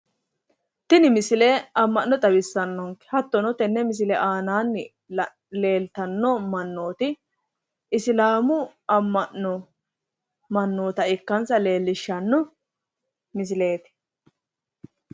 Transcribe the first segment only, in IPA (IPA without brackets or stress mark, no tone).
t̪